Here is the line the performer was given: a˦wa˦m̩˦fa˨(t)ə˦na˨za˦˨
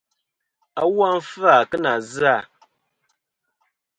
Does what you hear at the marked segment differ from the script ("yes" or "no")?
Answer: yes